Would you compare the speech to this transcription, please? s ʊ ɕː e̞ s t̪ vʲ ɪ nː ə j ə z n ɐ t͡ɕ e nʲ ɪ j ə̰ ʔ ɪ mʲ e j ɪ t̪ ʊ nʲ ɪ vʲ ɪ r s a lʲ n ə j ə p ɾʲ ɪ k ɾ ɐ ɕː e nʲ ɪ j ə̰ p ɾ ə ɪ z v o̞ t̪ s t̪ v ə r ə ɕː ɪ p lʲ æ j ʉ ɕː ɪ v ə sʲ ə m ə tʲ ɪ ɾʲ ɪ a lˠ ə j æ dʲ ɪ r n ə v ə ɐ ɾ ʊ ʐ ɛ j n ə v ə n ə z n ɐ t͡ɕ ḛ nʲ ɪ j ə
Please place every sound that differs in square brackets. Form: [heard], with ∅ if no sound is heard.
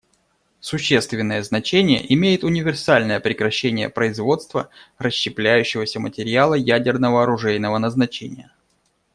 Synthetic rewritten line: s ʊ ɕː e̞ s t̪ vʲ ɪ nː ə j ə z n ɐ t͡ɕ e nʲ ɪ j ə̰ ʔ ɪ mʲ e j ɪ t̪ ʊ nʲ ɪ vʲ ɪ r s a lʲ n ə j ə p ɾʲ ɪ k ɾ ɐ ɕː e nʲ ɪ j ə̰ p ɾ ə ɪ z v o̞ t̪ s t̪ v ə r ə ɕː ɪ p lʲ æ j ʉ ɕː ɪ v ə sʲ ə m ə tʲ ɪ ɾʲ ɪ a lˠ ə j æ dʲ ɪ r n ə v ə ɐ ɾ ʊ ʐ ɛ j n ə v ə n ə z n ɐ t͡ɕ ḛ nʲ ɪ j ə